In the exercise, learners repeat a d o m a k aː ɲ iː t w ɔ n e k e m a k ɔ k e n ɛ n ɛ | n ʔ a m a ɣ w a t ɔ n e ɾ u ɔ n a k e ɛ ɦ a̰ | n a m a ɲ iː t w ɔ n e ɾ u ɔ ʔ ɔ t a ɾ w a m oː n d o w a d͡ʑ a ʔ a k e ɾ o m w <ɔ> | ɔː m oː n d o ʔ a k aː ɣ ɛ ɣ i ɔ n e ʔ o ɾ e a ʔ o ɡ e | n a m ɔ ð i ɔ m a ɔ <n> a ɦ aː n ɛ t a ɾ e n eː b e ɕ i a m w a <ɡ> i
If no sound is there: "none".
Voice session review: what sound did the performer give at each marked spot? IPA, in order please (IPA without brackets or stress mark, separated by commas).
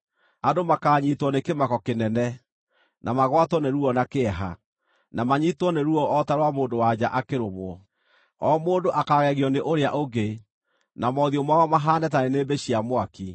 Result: ɔ, m, k